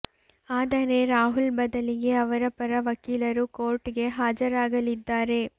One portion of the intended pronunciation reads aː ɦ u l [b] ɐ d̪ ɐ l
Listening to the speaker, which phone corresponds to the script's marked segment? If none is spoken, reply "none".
b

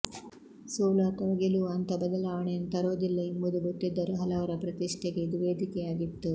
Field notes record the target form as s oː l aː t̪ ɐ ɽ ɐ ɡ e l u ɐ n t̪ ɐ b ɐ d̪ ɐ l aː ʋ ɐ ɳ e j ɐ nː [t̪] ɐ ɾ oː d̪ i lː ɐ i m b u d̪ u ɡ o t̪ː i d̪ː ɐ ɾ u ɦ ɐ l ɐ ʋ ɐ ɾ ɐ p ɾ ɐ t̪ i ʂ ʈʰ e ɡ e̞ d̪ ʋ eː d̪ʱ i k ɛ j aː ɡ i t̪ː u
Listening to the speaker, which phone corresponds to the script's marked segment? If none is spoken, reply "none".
t̪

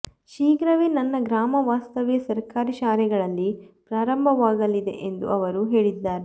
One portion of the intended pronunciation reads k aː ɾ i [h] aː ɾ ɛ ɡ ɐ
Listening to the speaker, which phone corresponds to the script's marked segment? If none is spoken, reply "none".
ʃ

